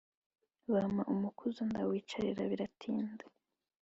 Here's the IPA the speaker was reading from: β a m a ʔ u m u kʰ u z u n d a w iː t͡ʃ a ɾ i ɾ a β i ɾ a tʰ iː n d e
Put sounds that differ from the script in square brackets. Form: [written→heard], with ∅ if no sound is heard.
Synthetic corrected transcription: β a m a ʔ u m u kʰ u z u n d a w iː t͡ʃ a ɾ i ɾ a β i ɾ a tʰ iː n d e